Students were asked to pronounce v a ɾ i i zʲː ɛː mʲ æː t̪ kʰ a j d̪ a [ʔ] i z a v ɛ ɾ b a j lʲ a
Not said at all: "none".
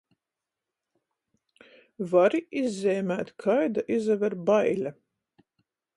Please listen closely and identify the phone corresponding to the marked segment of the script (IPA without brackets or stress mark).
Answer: ʔ